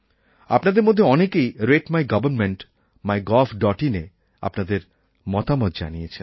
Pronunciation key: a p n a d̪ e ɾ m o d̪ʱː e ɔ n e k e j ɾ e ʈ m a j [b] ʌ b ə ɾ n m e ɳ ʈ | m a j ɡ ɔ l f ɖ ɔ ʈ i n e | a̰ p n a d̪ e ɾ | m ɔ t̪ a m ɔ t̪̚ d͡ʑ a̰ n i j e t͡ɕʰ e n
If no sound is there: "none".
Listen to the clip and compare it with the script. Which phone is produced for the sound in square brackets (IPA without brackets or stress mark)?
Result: ɡ